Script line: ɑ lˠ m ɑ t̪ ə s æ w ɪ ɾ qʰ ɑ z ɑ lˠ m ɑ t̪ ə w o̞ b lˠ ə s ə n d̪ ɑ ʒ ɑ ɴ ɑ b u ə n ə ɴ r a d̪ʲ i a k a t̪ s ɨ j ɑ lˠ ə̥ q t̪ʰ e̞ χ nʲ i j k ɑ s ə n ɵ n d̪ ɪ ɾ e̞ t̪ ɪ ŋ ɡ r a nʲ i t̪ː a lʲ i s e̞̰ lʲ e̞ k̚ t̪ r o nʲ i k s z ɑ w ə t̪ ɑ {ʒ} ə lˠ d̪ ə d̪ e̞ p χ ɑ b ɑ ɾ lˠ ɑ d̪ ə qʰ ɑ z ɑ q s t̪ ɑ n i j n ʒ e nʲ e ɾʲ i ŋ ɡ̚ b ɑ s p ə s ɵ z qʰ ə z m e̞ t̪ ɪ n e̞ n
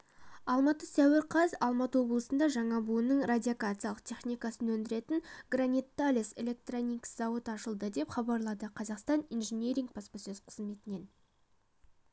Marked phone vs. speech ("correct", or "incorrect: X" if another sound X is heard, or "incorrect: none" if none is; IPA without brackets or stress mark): incorrect: ʃ